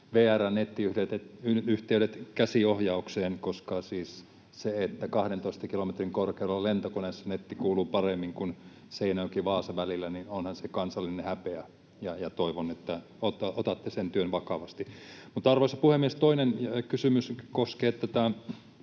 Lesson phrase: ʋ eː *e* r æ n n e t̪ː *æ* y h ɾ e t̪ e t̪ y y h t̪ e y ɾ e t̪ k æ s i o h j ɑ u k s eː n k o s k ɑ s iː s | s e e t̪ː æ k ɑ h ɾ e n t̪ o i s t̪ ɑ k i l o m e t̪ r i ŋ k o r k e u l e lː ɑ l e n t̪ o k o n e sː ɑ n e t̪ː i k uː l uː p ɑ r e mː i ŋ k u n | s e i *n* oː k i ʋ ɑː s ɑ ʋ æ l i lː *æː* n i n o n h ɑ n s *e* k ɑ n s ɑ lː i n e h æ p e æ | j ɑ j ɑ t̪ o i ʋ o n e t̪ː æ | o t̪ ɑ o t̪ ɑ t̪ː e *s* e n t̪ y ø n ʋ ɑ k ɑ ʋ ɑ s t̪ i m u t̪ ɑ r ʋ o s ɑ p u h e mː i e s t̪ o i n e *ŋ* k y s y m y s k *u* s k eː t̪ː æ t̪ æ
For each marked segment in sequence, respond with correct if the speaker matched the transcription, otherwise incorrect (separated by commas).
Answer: incorrect, incorrect, correct, incorrect, correct, correct, incorrect, incorrect